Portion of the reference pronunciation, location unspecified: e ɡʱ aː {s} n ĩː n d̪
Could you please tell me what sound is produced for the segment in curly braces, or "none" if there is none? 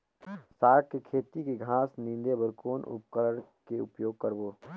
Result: s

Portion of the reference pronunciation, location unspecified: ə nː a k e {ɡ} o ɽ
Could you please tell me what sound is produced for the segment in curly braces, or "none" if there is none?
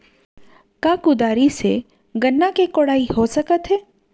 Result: k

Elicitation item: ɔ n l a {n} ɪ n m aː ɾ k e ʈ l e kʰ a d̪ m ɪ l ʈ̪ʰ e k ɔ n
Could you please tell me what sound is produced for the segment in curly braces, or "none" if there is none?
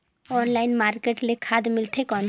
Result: none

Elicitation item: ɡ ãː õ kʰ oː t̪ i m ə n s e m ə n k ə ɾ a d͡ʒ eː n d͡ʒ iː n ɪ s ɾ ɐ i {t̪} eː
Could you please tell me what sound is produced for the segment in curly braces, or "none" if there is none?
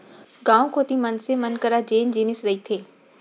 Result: t̪ʰ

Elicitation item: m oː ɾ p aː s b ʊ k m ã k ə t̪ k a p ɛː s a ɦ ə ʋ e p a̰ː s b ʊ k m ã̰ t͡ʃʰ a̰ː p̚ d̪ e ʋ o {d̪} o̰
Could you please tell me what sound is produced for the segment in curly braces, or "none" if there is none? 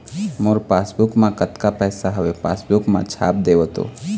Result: t̪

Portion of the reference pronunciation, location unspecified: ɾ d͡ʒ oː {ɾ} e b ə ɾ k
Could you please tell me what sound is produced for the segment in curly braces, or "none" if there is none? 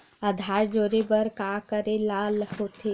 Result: ɾ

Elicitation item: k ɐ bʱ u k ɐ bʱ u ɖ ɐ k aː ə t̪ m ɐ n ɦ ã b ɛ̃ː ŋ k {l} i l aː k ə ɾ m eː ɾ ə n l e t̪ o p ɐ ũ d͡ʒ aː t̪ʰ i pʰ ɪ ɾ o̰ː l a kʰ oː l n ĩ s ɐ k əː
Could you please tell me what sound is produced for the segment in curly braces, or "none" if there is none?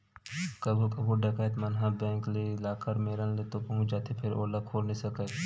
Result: l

